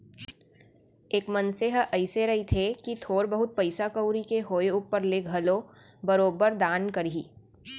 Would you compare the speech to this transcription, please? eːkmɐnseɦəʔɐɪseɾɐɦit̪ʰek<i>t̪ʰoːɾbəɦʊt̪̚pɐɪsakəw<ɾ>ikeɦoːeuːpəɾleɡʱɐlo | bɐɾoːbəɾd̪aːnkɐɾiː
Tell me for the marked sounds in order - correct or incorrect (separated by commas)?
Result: correct, correct